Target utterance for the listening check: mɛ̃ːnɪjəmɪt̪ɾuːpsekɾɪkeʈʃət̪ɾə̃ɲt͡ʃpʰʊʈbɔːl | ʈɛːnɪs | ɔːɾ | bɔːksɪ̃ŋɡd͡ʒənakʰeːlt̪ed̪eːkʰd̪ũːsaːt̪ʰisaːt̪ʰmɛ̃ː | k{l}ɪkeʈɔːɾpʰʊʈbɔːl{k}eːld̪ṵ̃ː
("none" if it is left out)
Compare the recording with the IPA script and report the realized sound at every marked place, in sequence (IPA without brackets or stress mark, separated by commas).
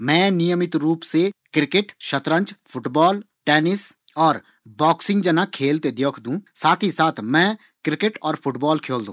ɾ, kʰ